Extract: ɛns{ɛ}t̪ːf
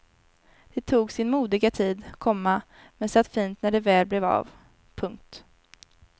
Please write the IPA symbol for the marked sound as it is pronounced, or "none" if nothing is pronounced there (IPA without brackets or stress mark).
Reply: a